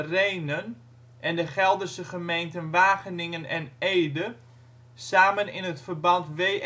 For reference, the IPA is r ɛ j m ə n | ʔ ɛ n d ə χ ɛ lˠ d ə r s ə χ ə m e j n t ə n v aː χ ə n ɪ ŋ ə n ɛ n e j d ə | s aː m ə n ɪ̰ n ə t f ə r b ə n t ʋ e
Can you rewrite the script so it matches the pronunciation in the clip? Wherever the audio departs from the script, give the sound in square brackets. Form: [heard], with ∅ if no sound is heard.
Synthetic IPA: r [e] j [n] ə n | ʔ ɛ n d ə χ ɛ lˠ d ə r s ə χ ə m e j n t ə n [ʋ] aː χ ə n ɪ ŋ ə n ɛ n e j d ə | s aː m ə n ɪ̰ n ə t f ə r b [ɑ] n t ʋ e